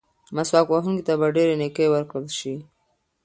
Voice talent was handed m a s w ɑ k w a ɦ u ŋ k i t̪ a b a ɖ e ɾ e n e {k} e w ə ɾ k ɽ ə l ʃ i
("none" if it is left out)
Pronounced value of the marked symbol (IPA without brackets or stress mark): k